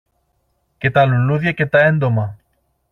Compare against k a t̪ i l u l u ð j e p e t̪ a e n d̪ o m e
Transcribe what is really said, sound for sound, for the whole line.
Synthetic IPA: k e t̪ a l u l u ð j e k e t̪ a e n d̪ o m a